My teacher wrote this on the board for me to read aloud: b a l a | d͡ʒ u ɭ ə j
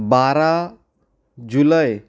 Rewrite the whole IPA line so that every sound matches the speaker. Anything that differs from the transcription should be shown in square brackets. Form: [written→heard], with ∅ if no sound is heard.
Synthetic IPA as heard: b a [l→ɾ] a | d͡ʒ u [ɭ→l] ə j